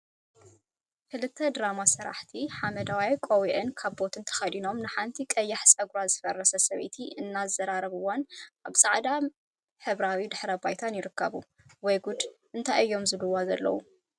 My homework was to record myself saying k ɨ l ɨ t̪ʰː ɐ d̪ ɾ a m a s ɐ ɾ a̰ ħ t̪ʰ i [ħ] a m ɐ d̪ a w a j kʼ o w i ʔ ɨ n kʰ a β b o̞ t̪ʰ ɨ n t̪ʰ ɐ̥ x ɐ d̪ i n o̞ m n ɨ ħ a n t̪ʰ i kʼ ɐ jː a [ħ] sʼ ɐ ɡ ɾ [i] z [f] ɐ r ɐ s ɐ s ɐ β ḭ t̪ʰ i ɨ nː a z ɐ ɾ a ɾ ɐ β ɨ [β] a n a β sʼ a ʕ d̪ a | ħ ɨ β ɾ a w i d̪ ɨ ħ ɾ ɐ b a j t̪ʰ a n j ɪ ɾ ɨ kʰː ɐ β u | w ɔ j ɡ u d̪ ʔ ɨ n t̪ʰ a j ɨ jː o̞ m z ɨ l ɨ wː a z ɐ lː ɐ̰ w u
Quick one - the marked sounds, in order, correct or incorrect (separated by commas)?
correct, correct, incorrect, correct, incorrect